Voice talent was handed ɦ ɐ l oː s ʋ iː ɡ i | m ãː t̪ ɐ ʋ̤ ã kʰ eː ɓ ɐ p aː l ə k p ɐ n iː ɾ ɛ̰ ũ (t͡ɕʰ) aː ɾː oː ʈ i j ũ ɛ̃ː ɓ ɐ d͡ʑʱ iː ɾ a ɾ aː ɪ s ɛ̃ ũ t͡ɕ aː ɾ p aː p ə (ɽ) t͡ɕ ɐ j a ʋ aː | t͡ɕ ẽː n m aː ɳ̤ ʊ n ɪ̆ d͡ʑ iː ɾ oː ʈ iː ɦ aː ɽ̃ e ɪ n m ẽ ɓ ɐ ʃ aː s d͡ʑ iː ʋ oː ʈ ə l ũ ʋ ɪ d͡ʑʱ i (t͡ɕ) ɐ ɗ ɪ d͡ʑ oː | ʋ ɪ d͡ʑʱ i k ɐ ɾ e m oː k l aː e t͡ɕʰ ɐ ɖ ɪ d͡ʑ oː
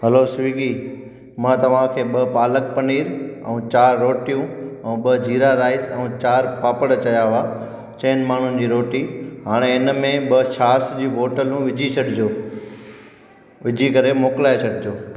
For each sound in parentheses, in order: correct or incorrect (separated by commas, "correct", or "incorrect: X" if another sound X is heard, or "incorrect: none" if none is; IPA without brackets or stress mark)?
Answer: incorrect: t͡ɕ, correct, incorrect: t͡ɕʰ